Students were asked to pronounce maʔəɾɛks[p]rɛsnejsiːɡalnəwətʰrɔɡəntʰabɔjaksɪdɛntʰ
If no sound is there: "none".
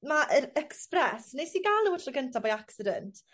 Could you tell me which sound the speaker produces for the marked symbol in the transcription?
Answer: p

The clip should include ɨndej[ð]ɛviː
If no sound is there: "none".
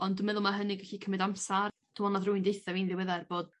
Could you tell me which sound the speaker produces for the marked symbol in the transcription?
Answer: θ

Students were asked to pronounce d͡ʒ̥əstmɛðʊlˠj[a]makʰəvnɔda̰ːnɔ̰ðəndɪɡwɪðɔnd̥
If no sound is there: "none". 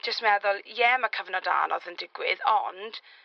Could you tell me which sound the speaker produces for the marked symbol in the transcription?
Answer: ɛ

